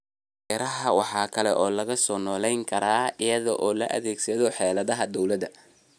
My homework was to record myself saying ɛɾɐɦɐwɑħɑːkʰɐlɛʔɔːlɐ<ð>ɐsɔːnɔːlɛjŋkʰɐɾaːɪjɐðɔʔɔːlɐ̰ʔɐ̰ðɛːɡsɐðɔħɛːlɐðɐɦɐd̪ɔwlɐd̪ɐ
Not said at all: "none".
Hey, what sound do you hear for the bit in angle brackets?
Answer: ɣ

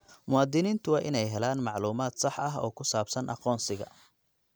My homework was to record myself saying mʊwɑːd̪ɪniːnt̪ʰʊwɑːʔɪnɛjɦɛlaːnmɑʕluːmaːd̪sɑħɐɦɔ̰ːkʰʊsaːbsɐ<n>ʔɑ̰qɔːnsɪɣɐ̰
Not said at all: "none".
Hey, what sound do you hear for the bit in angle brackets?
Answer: n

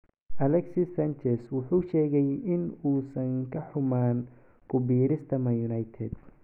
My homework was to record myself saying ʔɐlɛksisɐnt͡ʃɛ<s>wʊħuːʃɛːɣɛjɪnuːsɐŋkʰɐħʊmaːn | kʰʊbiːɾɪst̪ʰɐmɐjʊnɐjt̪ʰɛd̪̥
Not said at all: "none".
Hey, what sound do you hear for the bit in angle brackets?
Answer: s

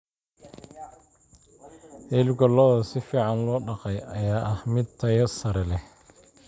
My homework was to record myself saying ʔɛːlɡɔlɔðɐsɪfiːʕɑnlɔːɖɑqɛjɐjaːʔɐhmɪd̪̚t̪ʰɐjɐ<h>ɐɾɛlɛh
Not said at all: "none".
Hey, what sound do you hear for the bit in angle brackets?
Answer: s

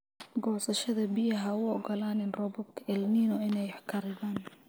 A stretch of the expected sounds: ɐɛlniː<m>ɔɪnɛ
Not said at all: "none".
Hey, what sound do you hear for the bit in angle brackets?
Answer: n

